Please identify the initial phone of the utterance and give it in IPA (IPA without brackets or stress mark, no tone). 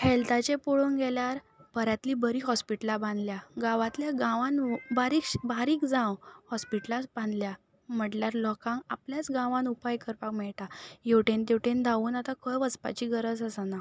h